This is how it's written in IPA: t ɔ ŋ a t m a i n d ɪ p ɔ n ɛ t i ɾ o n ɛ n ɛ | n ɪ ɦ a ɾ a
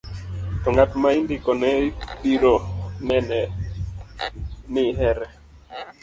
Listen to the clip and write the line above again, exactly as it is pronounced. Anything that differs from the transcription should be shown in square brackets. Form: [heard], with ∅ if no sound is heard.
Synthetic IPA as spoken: t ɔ ŋ a t m a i n d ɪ [k] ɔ n ɛ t i ɾ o n ɛ n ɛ | n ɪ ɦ [ɛ] ɾ [ɛ]